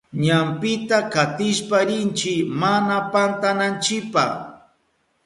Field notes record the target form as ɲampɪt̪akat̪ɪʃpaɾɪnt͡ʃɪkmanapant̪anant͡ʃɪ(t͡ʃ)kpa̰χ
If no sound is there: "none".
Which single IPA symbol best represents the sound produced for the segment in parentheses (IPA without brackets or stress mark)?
none